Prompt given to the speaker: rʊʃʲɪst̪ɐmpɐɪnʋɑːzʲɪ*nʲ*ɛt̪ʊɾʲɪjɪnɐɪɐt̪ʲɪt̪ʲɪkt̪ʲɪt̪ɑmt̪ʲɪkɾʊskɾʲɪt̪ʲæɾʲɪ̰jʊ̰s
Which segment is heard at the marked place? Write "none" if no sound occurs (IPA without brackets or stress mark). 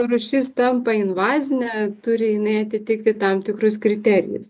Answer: nʲ